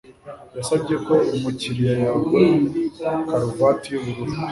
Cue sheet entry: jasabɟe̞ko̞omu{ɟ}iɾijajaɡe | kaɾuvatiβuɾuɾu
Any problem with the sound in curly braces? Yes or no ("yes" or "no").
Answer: yes